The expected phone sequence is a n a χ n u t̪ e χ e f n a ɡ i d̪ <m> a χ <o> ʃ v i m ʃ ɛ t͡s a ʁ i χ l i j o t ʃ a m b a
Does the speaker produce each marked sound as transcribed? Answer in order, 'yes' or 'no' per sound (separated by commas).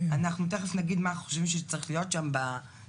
yes, yes